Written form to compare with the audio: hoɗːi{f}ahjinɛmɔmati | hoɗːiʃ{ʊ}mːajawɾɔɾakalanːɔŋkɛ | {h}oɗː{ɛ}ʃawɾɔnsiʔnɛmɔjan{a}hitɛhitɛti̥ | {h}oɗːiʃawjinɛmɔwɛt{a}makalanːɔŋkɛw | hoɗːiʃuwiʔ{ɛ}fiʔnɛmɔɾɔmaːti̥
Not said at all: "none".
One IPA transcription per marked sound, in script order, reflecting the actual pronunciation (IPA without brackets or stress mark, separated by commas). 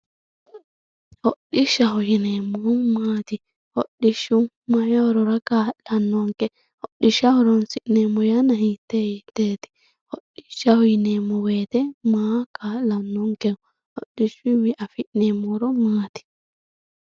ʃ, u, h, i, a, h, ɛ, a